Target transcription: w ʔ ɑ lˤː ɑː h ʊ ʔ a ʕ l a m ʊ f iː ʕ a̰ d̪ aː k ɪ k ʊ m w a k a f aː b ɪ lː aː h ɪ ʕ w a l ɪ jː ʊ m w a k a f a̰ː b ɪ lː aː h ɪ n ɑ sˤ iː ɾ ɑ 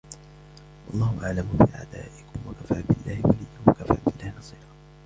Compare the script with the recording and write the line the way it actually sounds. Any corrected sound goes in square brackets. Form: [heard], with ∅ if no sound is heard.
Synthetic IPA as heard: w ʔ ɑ lˤː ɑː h ʊ ʔ a ʕ l a m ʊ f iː ʕ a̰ d̪ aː [ʔ] ɪ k ʊ m w a k a f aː b ɪ lː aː h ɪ [∅] w a l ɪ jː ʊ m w a k a f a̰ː b ɪ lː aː h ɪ n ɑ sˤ iː ɾ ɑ